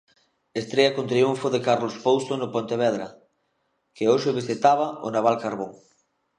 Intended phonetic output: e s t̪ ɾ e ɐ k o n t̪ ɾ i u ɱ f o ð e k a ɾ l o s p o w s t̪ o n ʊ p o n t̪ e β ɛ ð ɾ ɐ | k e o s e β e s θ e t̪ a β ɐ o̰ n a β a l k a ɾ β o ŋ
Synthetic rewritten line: e s t̪ ɾ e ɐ k o n t̪ ɾ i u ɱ f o ð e k a ɾ l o s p o w s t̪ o n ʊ p o n t̪ e β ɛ ð ɾ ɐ | k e o ʃ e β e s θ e t̪ a β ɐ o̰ n a β a l k a ɾ β o ŋ